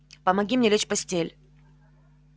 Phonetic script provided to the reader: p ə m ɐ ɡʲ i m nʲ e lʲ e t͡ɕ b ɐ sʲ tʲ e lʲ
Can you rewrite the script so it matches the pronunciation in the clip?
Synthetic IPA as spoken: p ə m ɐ ɡʲ i m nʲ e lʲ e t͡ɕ p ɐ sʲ tʲ e lʲ